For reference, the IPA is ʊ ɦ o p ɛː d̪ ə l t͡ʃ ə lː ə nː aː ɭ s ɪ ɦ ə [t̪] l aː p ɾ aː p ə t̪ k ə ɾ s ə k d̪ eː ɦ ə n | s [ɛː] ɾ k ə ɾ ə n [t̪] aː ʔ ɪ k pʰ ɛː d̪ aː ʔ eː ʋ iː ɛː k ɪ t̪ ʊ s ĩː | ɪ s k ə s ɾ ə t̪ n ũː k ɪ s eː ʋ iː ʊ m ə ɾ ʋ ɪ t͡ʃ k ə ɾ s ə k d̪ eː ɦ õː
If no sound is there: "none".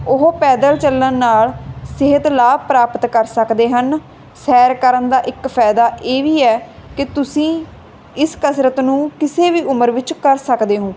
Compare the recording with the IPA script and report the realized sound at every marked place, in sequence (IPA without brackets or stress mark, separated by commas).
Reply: t̪, ɛː, d̪